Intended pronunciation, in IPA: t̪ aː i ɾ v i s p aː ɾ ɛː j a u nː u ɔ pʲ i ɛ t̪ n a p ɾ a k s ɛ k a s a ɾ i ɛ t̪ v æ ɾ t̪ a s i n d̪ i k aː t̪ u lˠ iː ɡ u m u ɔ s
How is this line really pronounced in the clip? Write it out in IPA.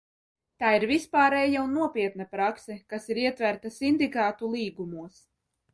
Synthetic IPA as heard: t̪ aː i ɾ v i s p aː ɾ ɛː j a u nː u ɔ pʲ i ɛ t̪ n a p ɾ a k s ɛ k a s i ɾ i ɛ t̪ v æ ɾ t̪ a s i n d̪ i k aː t̪ u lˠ iː ɡ u m u ɔ s